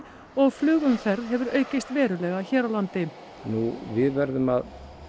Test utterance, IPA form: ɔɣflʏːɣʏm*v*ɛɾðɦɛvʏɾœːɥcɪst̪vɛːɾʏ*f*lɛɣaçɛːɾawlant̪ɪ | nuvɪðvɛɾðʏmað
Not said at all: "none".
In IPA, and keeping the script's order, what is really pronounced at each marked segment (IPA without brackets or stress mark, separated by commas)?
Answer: f, none